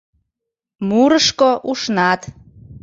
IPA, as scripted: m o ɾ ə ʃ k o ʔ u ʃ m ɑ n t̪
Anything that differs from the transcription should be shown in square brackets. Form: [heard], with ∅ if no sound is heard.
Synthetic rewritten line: m [u] ɾ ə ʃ k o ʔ u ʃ [n] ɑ [∅] t̪